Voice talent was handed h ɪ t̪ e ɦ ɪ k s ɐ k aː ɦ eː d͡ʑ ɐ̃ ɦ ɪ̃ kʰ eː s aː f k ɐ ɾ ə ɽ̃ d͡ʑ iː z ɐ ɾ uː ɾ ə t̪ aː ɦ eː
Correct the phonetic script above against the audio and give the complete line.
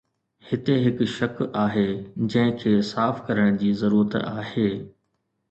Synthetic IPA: h ɪ t̪ e ɦ ɪ k ʃ ɐ k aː ɦ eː d͡ʑ ɐ̃ ɦ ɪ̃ kʰ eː s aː f k ɐ ɾ ə ɽ̃ d͡ʑ iː z ɐ ɾ uː ɾ ə t̪ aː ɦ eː